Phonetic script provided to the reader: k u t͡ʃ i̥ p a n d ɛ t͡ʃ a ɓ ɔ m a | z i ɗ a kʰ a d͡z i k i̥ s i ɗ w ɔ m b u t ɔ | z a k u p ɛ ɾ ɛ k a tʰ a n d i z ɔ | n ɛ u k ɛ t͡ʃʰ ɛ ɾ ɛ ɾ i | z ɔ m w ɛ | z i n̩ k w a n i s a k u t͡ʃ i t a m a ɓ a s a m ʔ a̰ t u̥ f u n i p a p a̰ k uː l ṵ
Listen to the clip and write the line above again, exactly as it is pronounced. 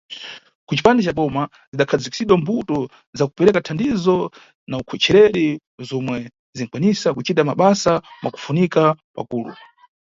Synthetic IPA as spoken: k u t͡ʃ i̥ p a n d ɛ t͡ʃ a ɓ ɔ m a | z i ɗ a kʰ a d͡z i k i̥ s i ɗ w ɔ m b u t ɔ | z a k u p ɛ ɾ ɛ k a tʰ a n d i z ɔ | n a u kʰ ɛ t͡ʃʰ ɛ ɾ ɛ ɾ i | z ɔ m w ɛ | z i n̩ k w a n i s a k u t͡ʃ i t a m a ɓ a s a m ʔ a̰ k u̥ f u n i k a p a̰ k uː l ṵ